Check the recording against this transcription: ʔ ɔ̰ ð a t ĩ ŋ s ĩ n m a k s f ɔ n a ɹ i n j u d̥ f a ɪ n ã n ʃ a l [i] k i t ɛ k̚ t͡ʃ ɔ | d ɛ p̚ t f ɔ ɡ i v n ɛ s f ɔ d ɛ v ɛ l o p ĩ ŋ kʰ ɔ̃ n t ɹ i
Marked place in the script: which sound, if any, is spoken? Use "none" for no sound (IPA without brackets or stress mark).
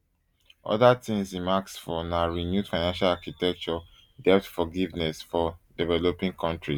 a